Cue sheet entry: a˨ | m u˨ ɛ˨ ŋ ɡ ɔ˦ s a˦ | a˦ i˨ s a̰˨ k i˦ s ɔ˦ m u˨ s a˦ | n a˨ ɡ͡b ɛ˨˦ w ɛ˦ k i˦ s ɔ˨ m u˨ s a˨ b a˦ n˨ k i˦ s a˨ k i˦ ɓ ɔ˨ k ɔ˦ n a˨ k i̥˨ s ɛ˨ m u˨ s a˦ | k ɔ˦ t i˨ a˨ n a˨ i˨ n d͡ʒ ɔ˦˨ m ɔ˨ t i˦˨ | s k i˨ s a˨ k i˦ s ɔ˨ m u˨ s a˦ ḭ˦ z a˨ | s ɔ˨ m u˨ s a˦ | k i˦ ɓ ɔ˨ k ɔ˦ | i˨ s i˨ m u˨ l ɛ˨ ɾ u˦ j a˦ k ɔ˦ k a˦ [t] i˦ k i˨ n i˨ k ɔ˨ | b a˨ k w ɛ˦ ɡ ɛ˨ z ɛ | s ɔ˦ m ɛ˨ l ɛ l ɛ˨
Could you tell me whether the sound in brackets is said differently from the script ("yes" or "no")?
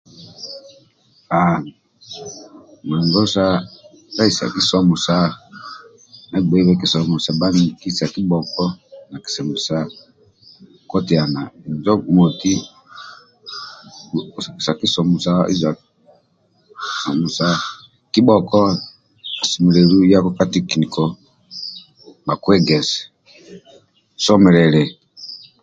no